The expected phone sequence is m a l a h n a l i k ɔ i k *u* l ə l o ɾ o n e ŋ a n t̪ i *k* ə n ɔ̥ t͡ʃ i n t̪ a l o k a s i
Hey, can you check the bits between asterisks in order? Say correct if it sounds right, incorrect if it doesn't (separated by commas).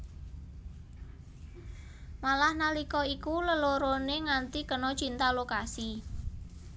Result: correct, correct